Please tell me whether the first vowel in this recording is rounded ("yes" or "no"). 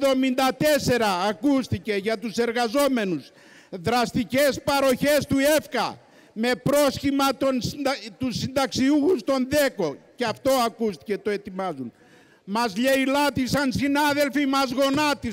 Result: yes